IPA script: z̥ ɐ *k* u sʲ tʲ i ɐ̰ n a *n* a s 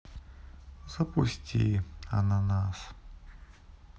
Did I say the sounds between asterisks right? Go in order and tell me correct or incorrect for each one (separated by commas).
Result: incorrect, correct